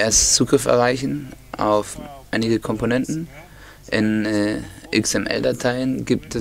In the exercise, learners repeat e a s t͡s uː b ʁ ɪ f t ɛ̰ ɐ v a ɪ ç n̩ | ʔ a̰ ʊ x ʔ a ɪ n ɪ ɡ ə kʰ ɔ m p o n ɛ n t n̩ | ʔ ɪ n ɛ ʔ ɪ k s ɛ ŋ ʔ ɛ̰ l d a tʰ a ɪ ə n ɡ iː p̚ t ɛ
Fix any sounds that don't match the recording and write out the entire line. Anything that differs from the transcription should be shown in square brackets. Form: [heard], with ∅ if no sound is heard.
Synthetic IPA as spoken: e [ɐ] s t͡s uː [ɡ] ʁ ɪ f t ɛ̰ ɐ [ʁ] a ɪ ç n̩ | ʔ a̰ ʊ [f] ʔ a ɪ n ɪ ɡ ə kʰ ɔ m p o n ɛ n t n̩ | ʔ ɪ n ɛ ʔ ɪ k s ɛ [m] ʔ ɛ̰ l d a tʰ a ɪ ə n ɡ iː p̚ t ɛ